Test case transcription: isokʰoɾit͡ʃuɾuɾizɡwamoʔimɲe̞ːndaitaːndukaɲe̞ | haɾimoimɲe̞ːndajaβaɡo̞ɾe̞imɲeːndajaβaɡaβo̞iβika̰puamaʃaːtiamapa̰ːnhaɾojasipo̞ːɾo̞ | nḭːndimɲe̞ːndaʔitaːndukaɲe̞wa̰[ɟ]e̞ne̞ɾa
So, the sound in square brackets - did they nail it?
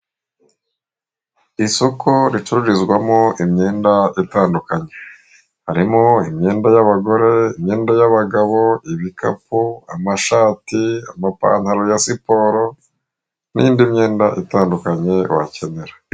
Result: no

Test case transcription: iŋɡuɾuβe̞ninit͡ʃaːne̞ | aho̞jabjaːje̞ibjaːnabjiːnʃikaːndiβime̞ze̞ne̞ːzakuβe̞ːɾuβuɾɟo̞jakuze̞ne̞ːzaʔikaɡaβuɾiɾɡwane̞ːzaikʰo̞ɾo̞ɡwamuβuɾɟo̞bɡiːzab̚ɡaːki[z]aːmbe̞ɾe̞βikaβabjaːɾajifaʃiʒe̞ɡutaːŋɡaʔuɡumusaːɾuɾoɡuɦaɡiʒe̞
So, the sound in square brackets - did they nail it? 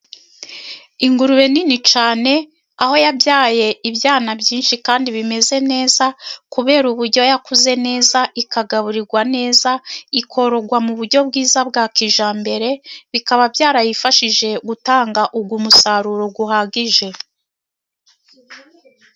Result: no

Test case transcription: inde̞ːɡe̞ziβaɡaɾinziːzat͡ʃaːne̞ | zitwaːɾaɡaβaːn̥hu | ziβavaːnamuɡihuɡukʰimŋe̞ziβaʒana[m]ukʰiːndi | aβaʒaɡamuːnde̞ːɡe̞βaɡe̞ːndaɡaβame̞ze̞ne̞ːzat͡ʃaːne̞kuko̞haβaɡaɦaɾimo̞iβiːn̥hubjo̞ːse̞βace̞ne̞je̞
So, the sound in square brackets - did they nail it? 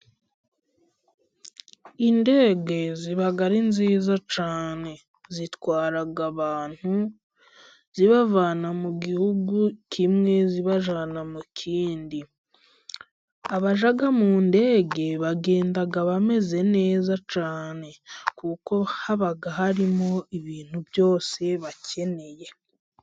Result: yes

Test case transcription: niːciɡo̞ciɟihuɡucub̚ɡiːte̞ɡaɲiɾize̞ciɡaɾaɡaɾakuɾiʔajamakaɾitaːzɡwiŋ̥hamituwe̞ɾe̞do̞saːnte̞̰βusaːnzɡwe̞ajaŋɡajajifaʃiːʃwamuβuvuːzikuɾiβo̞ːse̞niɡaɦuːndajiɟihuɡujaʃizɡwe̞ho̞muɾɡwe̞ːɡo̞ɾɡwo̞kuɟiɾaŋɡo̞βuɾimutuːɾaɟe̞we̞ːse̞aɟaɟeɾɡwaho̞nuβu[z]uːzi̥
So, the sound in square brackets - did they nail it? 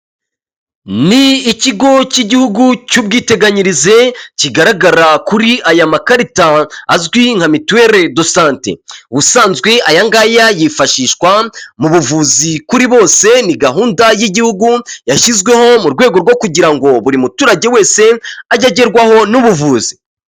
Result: no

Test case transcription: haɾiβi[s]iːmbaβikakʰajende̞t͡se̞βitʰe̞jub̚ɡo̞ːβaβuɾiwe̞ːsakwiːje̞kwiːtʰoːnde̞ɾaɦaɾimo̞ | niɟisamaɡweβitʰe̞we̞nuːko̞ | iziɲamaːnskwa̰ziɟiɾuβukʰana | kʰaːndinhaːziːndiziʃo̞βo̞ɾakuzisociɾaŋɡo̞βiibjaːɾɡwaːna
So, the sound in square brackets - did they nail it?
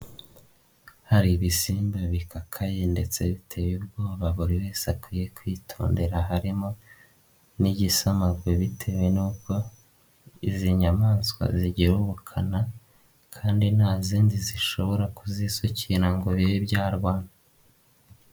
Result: yes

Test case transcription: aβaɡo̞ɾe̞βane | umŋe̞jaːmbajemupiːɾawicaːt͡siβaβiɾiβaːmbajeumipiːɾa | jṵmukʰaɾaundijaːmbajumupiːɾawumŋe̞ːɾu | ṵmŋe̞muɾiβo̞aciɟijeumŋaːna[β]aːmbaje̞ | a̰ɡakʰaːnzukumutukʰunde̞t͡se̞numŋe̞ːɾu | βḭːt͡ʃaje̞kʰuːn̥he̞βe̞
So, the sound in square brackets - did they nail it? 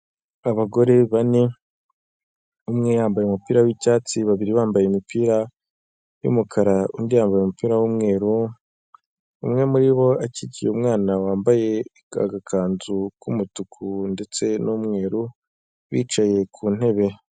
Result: no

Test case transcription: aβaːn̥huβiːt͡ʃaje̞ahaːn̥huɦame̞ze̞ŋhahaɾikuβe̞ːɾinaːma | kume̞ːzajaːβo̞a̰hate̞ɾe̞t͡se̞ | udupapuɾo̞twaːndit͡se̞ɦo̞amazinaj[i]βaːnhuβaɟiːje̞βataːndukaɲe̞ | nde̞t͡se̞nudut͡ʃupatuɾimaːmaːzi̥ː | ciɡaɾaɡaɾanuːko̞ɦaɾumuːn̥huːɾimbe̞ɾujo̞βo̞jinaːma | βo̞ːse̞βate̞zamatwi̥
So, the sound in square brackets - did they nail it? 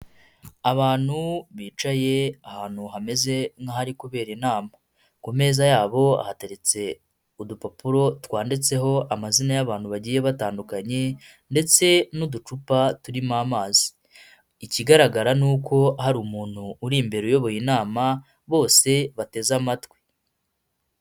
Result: no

